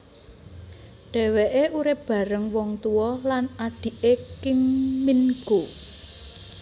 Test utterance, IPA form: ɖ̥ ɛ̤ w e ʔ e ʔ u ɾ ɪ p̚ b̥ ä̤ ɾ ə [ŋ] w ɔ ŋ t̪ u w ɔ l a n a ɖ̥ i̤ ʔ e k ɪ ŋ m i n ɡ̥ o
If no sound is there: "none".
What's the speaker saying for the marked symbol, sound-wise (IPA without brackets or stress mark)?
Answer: ŋ